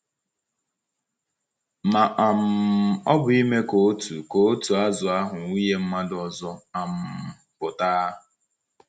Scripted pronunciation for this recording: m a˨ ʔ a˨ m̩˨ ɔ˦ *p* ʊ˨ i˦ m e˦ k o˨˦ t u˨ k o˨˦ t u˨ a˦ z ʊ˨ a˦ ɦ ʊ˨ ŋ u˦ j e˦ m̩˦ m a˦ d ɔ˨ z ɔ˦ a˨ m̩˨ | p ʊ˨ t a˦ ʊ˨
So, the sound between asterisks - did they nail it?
no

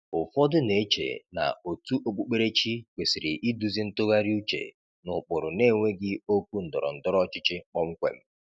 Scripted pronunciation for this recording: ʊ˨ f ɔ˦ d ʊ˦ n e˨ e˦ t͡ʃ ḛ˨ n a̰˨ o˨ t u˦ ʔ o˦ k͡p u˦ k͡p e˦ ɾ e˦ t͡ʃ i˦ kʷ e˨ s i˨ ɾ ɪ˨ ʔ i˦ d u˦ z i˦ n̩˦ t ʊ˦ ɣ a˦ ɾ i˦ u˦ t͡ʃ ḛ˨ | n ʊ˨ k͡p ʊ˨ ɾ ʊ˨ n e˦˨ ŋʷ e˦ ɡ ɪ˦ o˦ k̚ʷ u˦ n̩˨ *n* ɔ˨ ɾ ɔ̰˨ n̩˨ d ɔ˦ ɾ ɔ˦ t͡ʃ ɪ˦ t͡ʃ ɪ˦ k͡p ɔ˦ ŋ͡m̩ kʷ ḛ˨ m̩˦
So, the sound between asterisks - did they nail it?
no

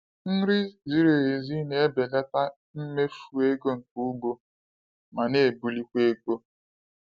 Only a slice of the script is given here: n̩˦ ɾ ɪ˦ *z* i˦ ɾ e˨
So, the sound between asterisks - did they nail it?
yes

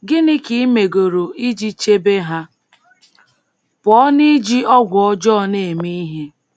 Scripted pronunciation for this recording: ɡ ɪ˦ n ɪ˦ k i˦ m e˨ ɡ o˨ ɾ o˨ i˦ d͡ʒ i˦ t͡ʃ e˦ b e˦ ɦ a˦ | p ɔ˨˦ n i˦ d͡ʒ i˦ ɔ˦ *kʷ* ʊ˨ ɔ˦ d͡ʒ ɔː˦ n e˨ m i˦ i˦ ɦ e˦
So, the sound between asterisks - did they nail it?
no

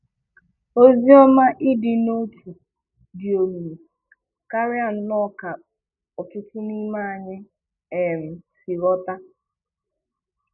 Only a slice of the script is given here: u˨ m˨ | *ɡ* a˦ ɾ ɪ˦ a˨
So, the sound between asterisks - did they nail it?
no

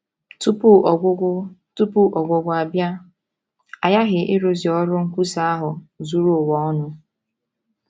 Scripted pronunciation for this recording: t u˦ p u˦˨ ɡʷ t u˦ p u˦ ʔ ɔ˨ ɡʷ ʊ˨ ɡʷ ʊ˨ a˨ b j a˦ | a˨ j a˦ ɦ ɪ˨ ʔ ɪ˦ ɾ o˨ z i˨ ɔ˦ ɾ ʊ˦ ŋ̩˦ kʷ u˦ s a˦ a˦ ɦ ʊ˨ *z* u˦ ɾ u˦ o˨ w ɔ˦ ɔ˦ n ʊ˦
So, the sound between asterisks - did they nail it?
yes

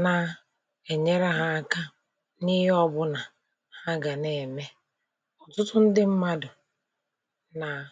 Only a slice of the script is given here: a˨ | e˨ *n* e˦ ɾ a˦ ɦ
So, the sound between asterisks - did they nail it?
no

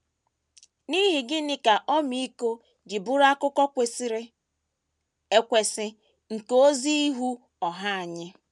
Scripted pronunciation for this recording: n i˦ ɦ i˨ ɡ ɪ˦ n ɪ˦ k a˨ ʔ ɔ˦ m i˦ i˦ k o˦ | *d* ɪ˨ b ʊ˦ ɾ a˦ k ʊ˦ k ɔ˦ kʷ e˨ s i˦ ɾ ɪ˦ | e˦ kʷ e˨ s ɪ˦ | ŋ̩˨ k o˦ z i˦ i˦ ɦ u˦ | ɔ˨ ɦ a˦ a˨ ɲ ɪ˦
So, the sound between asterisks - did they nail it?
no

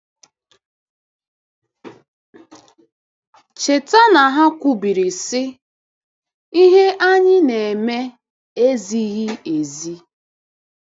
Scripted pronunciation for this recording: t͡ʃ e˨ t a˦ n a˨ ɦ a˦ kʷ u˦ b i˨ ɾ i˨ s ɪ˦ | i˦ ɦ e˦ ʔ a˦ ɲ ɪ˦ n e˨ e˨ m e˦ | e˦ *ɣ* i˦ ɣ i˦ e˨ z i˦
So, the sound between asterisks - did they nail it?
no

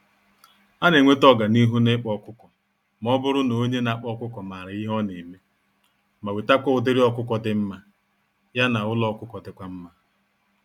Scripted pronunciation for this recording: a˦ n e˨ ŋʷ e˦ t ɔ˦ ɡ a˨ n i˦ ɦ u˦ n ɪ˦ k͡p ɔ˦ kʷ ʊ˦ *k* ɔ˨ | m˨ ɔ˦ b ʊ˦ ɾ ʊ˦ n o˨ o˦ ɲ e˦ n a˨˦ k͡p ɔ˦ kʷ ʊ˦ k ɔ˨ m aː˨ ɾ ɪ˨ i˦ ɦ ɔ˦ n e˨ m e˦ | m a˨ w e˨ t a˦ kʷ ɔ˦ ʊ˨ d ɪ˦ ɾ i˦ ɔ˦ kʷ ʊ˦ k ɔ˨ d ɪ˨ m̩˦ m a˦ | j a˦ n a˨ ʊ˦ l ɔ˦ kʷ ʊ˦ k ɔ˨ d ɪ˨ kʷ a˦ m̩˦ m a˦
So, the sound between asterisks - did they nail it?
yes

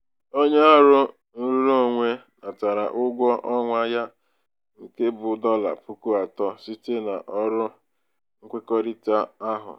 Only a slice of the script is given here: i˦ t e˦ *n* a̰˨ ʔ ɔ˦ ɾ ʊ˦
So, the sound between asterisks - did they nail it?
yes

